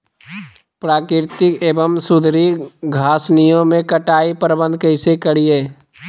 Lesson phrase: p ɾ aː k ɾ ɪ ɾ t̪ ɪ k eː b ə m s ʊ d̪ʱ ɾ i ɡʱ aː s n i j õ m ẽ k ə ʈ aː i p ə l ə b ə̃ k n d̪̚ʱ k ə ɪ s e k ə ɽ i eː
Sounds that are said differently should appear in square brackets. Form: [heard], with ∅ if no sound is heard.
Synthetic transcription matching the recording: p ɾ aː k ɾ ɪ ɾ t̪ ɪ k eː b ə m s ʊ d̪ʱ ɾ i ɡʱ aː s n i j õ m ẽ k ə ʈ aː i p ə [ɾ] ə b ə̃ [∅] n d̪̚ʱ k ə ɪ s e k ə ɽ i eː